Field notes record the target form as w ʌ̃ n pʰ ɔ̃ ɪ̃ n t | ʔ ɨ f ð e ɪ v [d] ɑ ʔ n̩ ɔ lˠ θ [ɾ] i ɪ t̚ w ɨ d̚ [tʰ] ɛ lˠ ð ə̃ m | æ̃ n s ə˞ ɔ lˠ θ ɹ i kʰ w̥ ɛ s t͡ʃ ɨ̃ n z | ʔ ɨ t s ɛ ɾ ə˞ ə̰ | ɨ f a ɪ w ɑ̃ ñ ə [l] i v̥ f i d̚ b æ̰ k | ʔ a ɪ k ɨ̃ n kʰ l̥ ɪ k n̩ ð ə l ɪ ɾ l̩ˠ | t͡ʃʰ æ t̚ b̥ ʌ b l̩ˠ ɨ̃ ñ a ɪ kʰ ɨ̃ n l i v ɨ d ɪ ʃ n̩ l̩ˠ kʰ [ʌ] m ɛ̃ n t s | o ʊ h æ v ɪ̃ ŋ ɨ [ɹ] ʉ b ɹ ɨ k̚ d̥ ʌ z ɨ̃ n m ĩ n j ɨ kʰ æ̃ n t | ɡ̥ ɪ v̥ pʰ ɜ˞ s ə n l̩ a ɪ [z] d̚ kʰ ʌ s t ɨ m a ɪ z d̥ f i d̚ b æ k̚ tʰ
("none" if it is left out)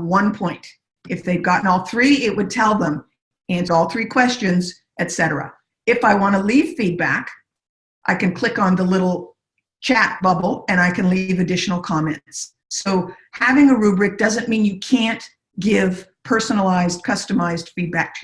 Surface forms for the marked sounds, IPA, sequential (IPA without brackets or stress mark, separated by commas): ɡ, ɹ, tʰ, l, ɑ, ɹ, z